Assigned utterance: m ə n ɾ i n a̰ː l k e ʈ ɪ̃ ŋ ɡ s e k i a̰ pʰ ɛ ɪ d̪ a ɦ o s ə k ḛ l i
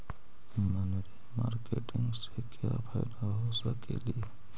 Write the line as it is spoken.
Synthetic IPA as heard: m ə n ɾ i m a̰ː ɾ k e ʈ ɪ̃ ŋ ɡ s e k j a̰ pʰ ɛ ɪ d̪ a ɦ o s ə k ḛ l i

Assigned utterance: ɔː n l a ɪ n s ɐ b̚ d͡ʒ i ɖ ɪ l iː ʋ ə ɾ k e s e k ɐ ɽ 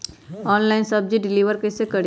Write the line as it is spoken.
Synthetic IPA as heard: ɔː n l a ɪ n s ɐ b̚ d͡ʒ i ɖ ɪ l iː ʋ ə ɾ k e s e k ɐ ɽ

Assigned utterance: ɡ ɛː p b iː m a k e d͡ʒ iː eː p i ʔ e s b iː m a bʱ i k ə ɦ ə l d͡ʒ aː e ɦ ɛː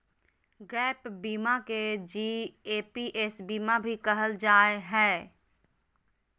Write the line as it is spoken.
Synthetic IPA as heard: ɡ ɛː p b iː m a k e d͡ʒ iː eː p i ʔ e s b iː m a bʱ i k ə ɦ ə l d͡ʒ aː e ɦ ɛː

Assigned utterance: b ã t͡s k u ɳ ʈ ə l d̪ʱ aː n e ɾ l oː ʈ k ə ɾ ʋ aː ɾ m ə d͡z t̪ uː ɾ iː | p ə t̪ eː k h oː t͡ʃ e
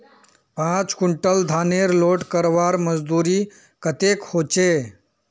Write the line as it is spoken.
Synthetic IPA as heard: p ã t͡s k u ɳ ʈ ə l d̪ʱ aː n e ɾ l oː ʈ k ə ɾ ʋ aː ɾ m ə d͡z d̪ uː ɾ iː | k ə t̪ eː k h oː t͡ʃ e

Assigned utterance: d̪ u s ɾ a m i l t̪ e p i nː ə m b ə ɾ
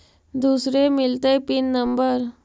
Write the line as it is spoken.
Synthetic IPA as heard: d̪ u s ɾ e m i l t̪ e p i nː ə m b ə ɾ

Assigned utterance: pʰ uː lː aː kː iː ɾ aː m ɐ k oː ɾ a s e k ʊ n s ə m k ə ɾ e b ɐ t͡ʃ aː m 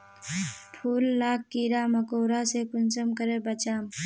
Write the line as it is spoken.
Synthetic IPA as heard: pʰ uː lː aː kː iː ɾ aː m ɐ k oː ɾ a s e k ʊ n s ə m k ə ɾ e b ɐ t͡ʃ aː m

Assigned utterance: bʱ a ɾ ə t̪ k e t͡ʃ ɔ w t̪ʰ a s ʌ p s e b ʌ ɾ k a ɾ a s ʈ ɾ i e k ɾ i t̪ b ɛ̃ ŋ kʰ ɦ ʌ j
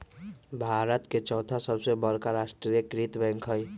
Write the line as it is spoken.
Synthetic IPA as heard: bʱ a ɾ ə t̪ k e t͡ʃ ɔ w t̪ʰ a s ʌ b s e b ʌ ɾ k a ɾ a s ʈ ɾ i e k ɾ i t̪ b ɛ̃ ŋ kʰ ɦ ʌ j

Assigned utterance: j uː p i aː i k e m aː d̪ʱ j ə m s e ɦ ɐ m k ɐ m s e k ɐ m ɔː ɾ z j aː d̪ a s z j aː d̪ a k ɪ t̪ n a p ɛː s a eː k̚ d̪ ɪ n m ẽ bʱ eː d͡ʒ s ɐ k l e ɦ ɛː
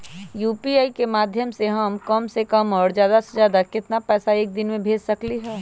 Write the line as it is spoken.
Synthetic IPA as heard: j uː p i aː i k e m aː d̪ʱ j ə m s e ɦ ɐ m k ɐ m s e k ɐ m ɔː ɾ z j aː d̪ a s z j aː d̪ a k ɪ t̪ n a p ɛː s a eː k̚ d̪ ɪ n m ẽ bʱ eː d͡ʒ s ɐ k l i ɦ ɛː

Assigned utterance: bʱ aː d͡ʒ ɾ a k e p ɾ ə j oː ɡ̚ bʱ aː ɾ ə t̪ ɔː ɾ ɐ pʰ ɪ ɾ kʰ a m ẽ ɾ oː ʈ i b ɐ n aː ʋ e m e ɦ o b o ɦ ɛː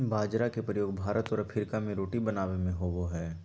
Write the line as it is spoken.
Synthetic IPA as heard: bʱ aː d͡ʒ ɾ a k e p ɾ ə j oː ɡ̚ bʱ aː ɾ ə t̪ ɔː ɾ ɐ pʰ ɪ ɾ k a m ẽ ɾ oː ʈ i b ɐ n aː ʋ e m ẽ ɦ o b o ɦ ɛː

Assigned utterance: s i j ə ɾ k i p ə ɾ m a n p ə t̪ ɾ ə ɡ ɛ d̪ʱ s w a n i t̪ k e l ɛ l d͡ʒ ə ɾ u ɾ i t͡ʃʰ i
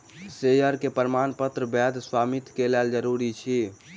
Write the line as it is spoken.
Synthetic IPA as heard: s e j ə ɾ k e p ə ɾ m a n p ə t̪ ɾ ə b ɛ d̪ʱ s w a m i t̪ k e l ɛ l d͡ʒ ə ɾ u ɾ i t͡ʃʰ i

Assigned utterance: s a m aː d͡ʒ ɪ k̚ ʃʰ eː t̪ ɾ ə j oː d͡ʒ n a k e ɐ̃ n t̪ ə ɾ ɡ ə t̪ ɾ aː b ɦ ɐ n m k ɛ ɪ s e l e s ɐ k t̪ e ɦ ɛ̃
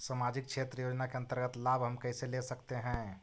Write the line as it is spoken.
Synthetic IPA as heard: s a m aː d͡ʒ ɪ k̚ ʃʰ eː t̪ ɾ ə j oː d͡ʒ n a k e ɐ̃ n t̪ ə ɾ ɡ ə t̪ l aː b ɦ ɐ m k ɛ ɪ s e l e s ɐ k t̪ e ɦ ɛ̃

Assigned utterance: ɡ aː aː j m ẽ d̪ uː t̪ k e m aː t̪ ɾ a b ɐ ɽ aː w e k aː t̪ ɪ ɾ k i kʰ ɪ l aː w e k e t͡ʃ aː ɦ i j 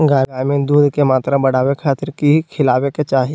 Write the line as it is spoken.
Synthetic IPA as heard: ɡ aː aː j m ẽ d̪ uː d̪ k e m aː t̪ ɾ a b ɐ ɽ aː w e kʰ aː t̪ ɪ ɾ k i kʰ ɪ l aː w e k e t͡ʃ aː ɦ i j

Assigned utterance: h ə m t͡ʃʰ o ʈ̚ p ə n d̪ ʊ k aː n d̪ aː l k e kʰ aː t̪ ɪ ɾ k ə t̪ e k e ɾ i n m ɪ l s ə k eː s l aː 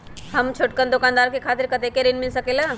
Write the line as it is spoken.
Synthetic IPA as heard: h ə m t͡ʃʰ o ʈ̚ k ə n d̪ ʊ k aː n d̪ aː ɾ k e kʰ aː t̪ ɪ ɾ k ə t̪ e k e ɾ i n m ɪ l s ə k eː l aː

